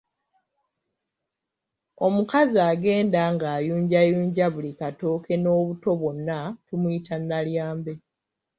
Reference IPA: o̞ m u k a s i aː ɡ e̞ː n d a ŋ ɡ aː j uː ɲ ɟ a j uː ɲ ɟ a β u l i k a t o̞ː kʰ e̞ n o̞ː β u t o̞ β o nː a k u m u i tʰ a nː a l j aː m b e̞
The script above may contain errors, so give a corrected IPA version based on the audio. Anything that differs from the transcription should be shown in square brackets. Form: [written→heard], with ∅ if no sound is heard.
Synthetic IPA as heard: o̞ m u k a [s→z] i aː ɡ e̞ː n d a ŋ ɡ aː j uː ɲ ɟ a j uː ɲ ɟ a β u l i k a t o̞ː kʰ e̞ n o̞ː β u t o̞ β o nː a [k→t] u m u i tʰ a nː a l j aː m b e̞